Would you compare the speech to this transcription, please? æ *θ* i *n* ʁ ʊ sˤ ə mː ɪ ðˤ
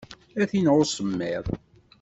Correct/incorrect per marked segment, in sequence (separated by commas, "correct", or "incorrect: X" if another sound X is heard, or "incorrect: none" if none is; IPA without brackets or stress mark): correct, correct